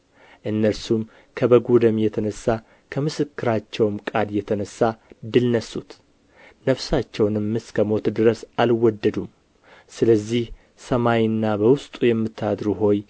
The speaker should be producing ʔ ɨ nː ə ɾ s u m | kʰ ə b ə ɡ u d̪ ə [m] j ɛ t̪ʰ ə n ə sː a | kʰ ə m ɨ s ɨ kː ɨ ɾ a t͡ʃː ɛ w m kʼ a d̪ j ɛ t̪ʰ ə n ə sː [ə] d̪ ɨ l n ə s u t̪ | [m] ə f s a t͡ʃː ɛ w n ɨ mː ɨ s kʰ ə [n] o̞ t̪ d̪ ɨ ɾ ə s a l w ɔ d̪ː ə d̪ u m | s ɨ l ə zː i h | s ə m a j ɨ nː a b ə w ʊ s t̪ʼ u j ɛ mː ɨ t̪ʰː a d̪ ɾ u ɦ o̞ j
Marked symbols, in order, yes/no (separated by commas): yes, no, no, no